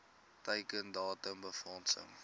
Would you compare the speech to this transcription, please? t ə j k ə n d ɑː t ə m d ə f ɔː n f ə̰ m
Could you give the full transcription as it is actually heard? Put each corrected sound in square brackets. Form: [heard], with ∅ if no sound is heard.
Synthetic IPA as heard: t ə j k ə n d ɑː t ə m [b] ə f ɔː n [s] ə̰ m